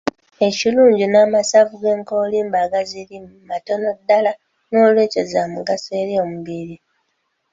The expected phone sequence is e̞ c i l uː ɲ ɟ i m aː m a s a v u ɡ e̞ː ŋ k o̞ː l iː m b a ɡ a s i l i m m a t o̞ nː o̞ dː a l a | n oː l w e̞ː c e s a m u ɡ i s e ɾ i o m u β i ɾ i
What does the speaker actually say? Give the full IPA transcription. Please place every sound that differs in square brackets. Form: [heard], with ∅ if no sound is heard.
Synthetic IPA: e̞ c i l uː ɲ ɟ i [n] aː m a s a v u ɡ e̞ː ŋ k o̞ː l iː m b a ɡ a [z] i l i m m a t o̞ [n] o̞ dː a l a | n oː l w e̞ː c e [z] a m u ɡ [a] s e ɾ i o m u β i ɾ i